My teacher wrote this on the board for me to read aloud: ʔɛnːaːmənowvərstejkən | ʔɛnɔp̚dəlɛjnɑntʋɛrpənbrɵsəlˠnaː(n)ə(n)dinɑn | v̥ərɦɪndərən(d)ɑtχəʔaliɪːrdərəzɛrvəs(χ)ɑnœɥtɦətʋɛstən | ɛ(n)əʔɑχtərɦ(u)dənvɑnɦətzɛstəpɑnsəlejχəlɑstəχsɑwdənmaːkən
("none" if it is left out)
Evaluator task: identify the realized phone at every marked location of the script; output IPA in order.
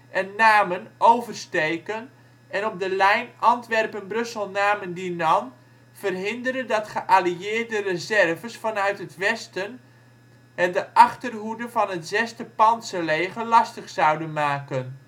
m, n, d, f, d, u

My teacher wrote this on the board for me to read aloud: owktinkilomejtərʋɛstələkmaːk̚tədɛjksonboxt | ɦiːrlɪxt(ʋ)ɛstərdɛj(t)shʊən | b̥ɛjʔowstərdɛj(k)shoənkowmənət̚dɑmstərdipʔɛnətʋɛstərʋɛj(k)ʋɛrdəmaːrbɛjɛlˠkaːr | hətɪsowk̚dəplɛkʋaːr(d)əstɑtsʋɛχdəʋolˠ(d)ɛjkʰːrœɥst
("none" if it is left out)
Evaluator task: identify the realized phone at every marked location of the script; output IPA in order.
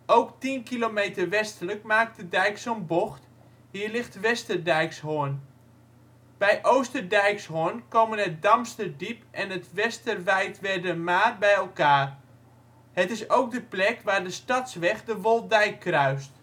ʋ, k, k, t, d, d

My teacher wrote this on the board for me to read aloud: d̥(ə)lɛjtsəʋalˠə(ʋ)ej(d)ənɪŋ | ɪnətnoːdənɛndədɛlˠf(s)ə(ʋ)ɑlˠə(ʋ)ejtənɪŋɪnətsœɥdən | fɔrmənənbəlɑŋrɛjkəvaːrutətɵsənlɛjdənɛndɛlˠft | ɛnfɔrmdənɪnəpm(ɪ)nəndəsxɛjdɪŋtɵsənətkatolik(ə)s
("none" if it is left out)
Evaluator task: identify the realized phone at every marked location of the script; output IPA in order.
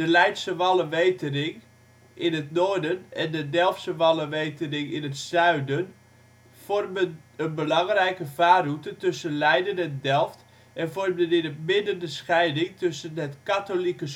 ə, ʋ, t, s, ʋ, ʋ, ɪ, ə

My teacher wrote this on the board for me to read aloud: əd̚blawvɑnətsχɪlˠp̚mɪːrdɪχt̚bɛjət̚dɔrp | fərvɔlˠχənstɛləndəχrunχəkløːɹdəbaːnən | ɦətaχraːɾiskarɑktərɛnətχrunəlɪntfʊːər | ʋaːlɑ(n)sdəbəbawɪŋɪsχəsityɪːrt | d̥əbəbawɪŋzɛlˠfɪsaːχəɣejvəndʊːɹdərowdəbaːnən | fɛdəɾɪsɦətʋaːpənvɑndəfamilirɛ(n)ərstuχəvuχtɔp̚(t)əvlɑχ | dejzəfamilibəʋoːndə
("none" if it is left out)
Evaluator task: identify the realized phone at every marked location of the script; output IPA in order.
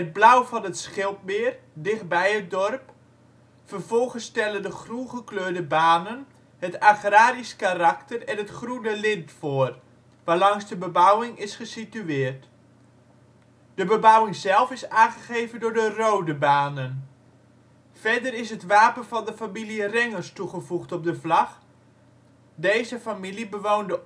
ŋ, ŋ, d

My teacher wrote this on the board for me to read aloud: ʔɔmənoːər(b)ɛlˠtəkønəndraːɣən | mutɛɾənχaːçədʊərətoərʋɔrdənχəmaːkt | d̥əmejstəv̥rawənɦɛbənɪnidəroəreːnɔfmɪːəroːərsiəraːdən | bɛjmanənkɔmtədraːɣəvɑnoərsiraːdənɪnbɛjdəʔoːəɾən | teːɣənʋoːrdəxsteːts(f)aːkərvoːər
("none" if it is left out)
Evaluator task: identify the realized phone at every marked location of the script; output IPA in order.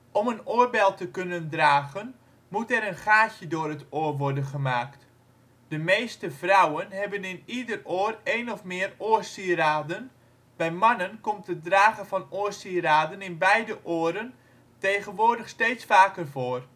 b, f

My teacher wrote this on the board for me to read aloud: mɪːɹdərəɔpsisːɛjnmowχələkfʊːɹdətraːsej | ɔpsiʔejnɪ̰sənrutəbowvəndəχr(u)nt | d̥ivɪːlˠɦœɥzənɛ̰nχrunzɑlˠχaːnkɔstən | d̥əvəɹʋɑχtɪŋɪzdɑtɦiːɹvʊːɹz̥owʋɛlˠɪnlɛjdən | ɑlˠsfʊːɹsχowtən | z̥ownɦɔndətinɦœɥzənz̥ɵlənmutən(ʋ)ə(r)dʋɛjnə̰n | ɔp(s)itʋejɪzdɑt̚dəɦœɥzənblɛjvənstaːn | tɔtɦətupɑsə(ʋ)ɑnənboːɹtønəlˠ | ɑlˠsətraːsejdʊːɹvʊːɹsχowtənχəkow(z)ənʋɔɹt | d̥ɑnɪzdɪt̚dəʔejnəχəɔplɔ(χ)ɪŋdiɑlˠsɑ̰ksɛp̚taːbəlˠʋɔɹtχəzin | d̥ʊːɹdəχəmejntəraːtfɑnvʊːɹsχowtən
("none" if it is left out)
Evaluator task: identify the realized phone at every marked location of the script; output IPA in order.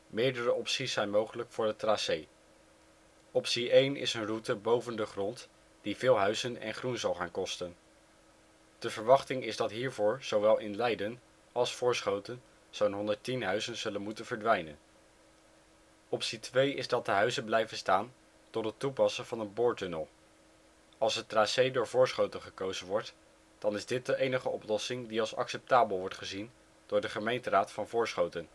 ɔ, v, ɹ, s, v, z, s

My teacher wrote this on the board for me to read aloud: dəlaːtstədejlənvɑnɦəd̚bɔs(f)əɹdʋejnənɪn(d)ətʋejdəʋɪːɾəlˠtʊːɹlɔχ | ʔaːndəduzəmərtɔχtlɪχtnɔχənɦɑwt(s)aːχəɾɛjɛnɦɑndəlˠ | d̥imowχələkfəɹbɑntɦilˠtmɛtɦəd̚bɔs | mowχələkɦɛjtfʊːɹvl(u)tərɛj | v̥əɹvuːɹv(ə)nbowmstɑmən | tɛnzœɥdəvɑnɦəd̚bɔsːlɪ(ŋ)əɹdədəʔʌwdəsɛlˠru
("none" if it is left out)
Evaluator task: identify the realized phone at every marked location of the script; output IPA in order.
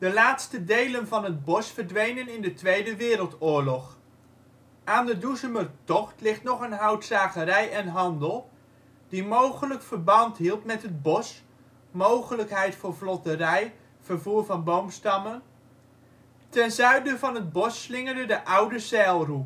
f, d, s, ɔ, ɑ, ŋ

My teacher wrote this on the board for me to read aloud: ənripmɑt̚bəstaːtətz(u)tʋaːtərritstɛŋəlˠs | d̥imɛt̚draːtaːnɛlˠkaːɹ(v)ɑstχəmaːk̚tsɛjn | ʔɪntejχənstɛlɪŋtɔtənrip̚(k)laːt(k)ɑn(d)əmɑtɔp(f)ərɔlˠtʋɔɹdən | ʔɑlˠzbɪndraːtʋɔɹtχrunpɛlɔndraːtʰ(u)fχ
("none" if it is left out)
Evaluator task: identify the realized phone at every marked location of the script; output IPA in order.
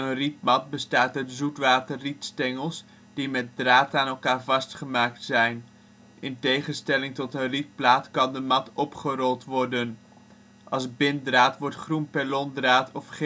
u, v, p, k, d, χ, ɔ

